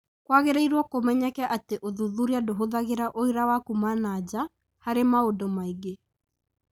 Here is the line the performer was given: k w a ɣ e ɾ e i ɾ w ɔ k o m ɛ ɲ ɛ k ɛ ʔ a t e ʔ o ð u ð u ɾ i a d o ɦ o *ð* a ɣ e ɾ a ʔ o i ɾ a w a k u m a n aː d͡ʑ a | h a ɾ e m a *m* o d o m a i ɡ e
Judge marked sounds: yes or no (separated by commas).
yes, no